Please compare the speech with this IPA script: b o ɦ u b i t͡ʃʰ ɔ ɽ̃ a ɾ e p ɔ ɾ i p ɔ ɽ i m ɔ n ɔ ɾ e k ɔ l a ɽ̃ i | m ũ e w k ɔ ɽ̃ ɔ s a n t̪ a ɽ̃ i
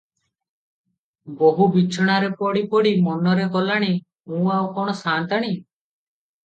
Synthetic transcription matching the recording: b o ɦ u b i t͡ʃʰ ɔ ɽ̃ a ɾ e p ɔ ɽ i p ɔ ɽ i m ɔ n ɔ ɾ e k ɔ l a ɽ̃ i | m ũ a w k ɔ ɽ̃ ɔ s a n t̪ a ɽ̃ i